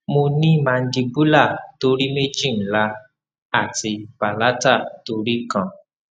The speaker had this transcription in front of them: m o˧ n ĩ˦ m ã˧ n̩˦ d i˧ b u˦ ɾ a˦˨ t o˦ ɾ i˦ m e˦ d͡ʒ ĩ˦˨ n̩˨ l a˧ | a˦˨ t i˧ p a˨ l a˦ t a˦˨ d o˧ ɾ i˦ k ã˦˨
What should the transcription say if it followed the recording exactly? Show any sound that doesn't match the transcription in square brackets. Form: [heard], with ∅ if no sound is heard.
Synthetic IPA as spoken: m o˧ n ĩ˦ m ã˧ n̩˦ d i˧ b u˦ [l] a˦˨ t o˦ ɾ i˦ m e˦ d͡ʒ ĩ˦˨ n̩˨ l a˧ | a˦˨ t i˧ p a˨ l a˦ t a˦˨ [t] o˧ ɾ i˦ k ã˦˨

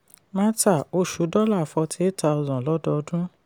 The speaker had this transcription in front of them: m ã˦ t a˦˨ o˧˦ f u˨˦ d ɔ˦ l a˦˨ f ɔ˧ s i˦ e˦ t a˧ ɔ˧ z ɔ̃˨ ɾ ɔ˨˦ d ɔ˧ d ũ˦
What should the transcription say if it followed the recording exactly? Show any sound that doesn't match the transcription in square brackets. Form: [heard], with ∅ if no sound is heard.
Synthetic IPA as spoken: m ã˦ t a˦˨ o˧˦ [ʃ] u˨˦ d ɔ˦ l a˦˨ f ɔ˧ [t] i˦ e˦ t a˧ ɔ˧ z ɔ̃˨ [l] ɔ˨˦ d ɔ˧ d ũ˦

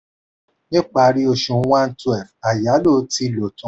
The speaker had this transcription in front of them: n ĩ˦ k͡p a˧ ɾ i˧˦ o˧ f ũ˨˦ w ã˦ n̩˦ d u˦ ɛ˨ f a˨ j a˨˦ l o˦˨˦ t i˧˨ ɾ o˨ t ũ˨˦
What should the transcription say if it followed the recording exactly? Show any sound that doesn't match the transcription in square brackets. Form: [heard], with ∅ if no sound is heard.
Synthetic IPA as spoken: n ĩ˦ k͡p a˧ ɾ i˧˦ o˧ [ʃ] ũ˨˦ w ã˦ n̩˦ [t] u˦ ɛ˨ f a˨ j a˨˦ l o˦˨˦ t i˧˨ [l] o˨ t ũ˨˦

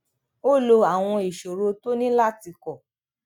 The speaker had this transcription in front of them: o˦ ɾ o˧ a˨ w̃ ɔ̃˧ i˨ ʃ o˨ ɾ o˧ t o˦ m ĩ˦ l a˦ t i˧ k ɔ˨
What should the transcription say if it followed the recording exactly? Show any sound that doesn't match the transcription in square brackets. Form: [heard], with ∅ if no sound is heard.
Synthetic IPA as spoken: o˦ [l] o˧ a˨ w̃ ɔ̃˧ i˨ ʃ o˨ ɾ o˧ t o˦ [n] ĩ˦ l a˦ t i˧ k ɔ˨

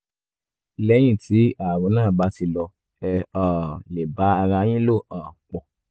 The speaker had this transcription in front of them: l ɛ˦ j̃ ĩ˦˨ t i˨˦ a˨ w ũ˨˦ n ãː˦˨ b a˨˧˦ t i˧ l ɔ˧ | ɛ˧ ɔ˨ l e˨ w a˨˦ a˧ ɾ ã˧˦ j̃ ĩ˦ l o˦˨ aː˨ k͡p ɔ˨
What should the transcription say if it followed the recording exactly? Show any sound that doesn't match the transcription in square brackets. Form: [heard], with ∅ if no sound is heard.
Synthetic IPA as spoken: l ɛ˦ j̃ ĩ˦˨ t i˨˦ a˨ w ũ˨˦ n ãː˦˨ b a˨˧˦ t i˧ l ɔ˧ | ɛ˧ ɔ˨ l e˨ [b] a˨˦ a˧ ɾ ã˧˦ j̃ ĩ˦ l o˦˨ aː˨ k͡p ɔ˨

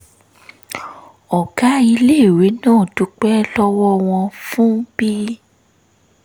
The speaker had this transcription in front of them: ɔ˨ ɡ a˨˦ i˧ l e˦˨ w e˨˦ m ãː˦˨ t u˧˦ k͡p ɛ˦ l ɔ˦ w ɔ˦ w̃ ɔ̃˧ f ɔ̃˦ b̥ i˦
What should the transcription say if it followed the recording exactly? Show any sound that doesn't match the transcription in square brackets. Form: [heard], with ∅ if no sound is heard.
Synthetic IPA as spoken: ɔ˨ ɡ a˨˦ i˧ l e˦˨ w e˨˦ [n] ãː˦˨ t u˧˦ k͡p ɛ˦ l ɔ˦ w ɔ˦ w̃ ɔ̃˧ f [ũ˦] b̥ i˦

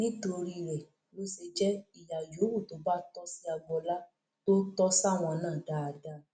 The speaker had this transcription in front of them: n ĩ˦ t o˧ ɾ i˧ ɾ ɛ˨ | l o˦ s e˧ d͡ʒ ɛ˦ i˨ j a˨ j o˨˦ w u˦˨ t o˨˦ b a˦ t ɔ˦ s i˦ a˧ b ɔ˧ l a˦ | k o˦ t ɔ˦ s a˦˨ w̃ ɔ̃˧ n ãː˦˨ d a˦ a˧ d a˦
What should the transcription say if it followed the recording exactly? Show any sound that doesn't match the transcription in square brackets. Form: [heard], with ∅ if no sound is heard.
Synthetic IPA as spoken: n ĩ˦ t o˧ ɾ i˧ ɾ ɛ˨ | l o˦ s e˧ d͡ʒ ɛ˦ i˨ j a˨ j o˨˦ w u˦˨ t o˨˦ b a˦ t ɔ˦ s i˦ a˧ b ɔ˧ l a˦ | [t] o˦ t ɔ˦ s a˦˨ w̃ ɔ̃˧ n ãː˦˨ d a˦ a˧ d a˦

